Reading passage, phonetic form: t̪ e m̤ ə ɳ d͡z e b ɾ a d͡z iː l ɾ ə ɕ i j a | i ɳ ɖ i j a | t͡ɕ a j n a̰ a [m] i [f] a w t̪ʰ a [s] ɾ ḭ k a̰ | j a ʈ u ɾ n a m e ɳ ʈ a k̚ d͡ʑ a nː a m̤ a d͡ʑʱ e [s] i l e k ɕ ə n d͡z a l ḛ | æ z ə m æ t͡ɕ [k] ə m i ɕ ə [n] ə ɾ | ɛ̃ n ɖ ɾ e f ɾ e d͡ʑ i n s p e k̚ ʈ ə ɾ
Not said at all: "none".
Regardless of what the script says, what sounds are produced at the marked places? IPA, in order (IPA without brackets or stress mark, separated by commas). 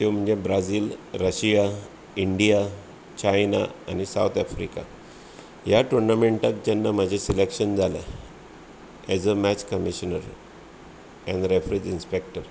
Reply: n, s, f, s, k, n